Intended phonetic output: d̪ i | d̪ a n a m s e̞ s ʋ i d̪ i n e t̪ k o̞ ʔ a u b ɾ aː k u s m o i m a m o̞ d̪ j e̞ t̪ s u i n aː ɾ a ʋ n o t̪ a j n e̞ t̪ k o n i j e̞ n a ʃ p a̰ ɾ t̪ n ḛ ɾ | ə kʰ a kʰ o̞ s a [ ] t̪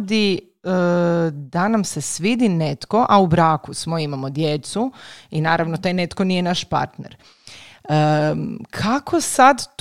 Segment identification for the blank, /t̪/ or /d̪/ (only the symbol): d̪